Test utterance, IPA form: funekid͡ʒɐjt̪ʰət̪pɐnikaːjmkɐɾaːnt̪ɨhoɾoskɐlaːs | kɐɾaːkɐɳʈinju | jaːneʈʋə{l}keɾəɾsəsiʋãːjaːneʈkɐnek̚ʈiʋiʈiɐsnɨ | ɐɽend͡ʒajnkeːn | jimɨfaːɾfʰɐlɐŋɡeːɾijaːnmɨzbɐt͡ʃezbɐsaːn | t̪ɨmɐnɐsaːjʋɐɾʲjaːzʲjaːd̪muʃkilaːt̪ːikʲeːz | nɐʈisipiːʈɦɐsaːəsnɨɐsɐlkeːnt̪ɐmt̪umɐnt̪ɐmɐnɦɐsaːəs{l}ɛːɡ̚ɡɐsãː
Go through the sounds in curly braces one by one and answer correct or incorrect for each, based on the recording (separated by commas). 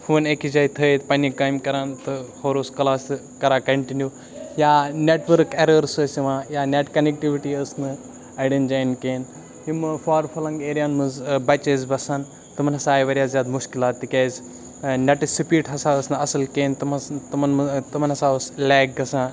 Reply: incorrect, correct